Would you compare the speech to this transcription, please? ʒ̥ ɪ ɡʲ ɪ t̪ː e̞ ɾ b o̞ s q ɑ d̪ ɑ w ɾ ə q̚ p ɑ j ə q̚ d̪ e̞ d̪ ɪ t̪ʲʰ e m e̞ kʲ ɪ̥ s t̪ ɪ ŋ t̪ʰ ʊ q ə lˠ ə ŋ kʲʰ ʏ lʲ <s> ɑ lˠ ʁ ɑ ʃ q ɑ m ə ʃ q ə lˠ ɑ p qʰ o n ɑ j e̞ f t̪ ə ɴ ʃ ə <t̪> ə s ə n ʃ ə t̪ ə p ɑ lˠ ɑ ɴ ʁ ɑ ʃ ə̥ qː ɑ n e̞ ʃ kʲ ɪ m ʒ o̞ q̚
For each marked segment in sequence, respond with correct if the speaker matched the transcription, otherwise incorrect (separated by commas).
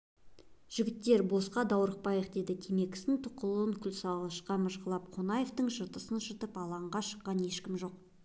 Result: correct, correct